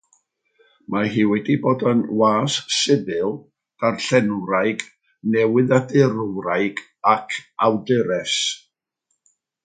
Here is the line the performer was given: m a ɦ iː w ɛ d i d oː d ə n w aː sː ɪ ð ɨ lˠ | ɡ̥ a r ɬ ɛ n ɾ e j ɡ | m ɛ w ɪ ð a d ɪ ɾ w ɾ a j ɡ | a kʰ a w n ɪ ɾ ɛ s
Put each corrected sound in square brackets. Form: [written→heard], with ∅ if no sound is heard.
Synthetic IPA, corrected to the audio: m a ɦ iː w ɛ d i [d→b] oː d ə n w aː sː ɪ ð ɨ lˠ | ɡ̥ a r ɬ ɛ n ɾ [e→a] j ɡ | [m→n] ɛ w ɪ ð a d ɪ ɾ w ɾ a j ɡ | a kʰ a w [n→d] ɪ ɾ ɛ s